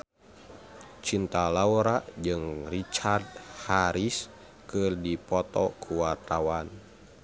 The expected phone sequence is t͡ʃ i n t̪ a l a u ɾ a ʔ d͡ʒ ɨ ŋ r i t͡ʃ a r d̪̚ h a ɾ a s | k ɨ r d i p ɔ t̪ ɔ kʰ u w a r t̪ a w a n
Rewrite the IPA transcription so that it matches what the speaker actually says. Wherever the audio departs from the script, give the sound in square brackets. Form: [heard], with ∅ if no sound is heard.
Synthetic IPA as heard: t͡ʃ i n t̪ a l a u ɾ a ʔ d͡ʒ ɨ ŋ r i t͡ʃ a r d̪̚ h a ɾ [i] s | k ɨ r d i p ɔ t̪ ɔ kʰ u w a r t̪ a w a n